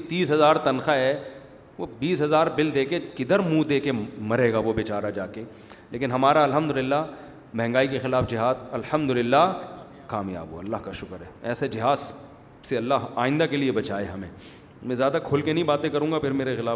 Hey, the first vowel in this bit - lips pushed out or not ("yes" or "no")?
no